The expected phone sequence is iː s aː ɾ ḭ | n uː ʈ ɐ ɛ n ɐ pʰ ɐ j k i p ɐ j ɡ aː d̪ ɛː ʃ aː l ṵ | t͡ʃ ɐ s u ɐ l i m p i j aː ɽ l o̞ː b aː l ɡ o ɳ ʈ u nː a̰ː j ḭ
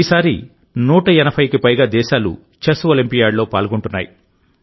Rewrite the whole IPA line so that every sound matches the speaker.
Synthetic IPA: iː s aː ɾ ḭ | n uː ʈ ɐ ɛ n ɐ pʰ ɐ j k i p ɐ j ɡ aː d̪ ɛː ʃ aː l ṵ | t͡ʃ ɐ s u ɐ l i m p i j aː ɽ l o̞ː p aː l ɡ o ɳ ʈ u nː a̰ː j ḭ